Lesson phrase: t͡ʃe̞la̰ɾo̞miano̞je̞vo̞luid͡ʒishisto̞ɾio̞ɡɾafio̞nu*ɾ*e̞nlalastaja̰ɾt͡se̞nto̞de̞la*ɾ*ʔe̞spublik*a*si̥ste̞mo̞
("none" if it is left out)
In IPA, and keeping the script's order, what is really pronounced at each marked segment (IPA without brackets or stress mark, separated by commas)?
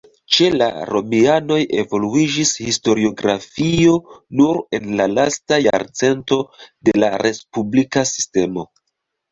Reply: ɾ, ɾ, a